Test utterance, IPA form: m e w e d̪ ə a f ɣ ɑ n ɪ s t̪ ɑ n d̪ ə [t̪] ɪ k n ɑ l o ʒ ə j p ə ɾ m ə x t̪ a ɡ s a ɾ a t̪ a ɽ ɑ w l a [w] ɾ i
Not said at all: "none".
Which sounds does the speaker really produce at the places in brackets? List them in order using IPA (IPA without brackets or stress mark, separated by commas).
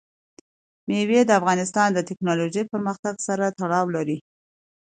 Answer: t̪, none